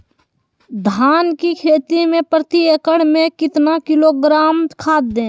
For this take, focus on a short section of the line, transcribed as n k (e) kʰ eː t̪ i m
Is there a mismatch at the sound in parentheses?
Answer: yes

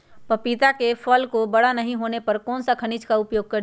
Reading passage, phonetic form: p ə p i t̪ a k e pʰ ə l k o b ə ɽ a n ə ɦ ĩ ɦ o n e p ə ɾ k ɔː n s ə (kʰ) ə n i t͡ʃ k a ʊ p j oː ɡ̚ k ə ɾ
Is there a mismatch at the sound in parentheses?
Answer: no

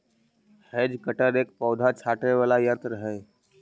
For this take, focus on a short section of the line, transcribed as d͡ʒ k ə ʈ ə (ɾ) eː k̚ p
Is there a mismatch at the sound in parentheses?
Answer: no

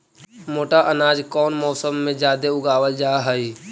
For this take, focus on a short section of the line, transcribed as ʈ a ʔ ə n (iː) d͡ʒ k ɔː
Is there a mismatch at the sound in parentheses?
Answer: yes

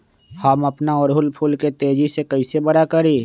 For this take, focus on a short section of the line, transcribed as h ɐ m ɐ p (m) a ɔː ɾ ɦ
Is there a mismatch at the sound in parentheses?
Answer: yes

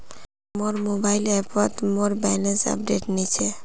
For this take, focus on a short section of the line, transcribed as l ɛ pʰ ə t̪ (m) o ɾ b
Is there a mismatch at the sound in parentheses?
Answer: no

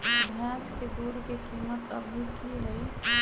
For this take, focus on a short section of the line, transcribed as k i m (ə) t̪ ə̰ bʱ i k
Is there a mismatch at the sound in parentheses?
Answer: no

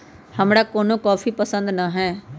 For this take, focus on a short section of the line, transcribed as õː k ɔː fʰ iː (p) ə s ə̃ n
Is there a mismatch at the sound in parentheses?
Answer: no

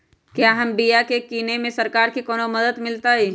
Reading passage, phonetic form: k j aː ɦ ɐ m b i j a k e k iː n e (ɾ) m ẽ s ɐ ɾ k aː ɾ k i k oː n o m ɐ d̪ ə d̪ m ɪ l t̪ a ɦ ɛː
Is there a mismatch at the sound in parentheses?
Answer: yes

